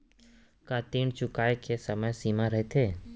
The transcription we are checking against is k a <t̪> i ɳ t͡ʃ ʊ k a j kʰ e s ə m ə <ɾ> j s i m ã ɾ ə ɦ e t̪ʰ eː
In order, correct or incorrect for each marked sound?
correct, incorrect: none

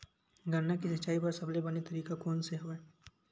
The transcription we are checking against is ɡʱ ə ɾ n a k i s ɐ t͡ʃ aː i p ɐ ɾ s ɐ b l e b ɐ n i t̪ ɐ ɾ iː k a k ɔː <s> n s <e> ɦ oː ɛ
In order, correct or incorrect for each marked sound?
incorrect: none, correct

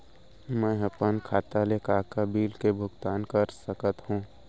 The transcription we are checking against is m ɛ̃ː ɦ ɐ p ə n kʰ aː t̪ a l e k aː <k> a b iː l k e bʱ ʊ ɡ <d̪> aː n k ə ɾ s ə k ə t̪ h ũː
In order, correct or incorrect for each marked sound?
correct, incorrect: t̪

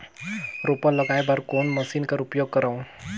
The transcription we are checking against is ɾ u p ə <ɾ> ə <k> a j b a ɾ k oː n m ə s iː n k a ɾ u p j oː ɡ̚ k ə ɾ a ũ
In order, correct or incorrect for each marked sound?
incorrect: l, incorrect: ɡ

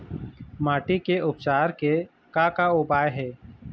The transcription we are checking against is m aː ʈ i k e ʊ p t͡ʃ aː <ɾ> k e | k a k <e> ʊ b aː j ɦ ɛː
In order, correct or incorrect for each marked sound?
correct, incorrect: a

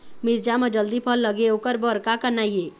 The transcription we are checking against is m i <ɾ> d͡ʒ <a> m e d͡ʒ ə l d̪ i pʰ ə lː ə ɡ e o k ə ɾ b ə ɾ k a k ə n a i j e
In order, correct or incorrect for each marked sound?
correct, correct

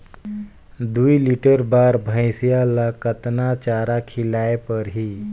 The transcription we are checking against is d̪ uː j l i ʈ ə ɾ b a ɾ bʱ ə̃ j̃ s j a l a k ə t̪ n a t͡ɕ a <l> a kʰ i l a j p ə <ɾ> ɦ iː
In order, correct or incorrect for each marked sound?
incorrect: ɾ, correct

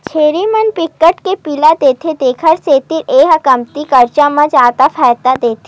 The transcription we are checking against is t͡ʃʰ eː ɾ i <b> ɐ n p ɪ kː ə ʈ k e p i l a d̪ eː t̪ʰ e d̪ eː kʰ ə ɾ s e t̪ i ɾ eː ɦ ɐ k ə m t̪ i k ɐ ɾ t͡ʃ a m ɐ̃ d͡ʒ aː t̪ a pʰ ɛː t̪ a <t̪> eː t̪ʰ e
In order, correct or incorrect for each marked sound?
incorrect: m, incorrect: d̪

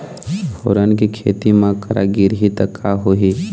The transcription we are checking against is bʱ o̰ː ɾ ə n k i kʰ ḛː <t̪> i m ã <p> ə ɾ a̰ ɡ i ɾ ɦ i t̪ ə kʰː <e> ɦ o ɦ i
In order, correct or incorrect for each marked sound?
correct, incorrect: k, incorrect: a

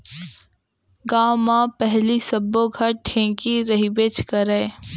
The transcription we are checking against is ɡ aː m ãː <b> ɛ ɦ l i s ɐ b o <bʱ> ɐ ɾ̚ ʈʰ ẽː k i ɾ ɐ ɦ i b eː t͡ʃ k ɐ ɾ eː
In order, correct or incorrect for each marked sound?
incorrect: p, incorrect: ɡʱ

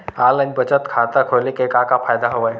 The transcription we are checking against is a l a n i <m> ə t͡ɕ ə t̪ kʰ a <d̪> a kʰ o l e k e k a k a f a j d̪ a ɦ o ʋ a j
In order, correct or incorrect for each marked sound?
incorrect: b, incorrect: t̪

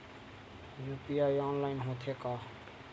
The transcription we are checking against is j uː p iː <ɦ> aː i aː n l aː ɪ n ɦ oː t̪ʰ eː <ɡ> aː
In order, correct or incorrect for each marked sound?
incorrect: none, incorrect: k

